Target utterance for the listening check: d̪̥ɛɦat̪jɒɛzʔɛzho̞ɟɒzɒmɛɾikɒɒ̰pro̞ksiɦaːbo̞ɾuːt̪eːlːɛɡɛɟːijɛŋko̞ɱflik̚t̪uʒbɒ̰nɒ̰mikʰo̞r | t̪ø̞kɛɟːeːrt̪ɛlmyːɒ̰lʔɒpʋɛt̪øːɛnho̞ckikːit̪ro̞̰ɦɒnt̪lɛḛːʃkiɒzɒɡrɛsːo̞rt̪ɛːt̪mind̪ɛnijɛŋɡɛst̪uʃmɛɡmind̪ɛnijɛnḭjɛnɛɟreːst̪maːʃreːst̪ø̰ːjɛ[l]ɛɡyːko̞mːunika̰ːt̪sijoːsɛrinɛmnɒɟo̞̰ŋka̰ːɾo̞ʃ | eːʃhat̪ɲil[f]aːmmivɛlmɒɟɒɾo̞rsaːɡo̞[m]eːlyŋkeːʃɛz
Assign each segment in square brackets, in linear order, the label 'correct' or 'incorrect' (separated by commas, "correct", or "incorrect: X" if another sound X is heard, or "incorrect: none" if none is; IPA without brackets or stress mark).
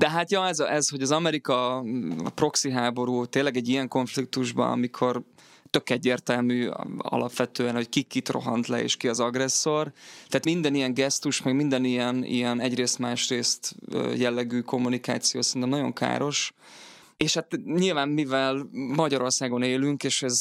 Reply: incorrect: lː, incorrect: v, incorrect: n